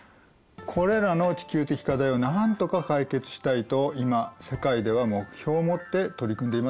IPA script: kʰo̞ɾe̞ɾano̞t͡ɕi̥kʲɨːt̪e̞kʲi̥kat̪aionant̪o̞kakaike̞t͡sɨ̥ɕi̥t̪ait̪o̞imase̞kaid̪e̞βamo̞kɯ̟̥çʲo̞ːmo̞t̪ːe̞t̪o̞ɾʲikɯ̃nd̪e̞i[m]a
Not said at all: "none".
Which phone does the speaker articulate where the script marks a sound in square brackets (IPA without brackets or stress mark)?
m